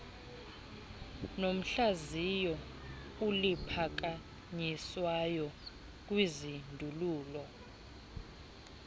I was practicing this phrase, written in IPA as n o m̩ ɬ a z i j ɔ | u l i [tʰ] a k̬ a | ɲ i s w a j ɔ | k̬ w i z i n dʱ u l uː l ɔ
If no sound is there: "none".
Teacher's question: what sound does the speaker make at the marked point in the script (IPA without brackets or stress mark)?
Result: pʰ